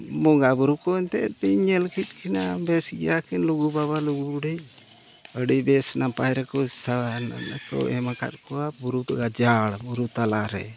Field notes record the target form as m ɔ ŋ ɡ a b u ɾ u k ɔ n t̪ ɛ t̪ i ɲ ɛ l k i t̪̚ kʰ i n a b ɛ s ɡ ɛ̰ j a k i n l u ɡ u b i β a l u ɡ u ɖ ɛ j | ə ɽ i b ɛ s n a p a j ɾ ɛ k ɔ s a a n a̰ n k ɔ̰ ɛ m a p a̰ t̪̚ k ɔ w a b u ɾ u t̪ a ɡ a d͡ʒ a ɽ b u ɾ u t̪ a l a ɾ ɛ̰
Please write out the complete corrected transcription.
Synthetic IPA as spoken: m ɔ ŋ ɡ a b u ɾ u k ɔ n t̪ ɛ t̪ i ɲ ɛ l k i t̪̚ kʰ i n a b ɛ s ɡ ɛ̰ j a k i n l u ɡ u b a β a l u ɡ u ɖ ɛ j | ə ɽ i b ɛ s n a p a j ɾ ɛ k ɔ s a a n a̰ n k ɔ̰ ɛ m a k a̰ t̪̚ k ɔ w a b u ɾ u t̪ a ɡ a d͡ʒ a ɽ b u ɾ u t̪ a l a ɾ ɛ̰